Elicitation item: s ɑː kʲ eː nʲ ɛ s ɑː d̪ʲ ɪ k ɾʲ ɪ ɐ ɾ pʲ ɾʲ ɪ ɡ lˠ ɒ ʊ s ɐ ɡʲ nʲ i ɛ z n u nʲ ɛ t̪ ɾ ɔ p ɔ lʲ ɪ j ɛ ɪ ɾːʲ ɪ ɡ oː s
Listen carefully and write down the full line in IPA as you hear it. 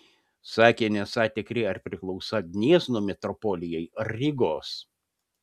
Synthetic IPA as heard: s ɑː kʲ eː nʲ ɛ s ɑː t̪ʲ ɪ k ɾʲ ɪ ɐ ɾ pʲ ɾʲ ɪ k lˠ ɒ ʊ s ɐ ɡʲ nʲ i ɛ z n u mʲ ɛ t̪ ɾ ɔ p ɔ lʲ ɪ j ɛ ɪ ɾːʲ ɪ ɡ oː s